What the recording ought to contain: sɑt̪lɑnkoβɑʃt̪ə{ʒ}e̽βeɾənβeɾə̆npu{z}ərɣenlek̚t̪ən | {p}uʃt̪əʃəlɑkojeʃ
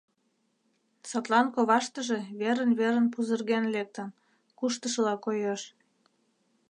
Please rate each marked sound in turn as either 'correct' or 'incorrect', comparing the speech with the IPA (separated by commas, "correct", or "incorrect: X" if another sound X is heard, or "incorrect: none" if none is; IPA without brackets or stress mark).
correct, correct, incorrect: k